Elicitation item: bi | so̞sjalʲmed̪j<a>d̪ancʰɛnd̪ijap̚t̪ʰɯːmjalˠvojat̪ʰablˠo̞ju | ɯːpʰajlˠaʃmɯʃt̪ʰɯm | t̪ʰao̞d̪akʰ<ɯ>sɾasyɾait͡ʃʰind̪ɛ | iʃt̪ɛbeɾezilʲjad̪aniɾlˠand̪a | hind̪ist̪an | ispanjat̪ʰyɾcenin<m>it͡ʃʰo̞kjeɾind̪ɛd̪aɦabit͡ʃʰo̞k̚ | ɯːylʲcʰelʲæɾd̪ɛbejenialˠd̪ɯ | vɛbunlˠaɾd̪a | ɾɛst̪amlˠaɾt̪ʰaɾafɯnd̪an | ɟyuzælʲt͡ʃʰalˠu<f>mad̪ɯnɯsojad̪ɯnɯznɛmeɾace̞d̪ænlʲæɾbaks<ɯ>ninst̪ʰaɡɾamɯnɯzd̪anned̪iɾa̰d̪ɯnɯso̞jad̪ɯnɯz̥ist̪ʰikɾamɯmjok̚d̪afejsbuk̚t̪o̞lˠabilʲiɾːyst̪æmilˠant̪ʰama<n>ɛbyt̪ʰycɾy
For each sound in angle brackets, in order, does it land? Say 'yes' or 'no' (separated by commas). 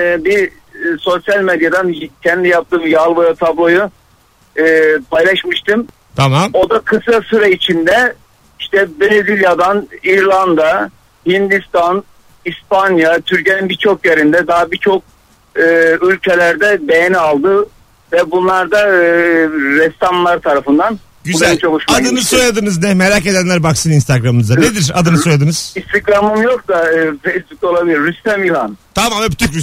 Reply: yes, yes, no, no, yes, no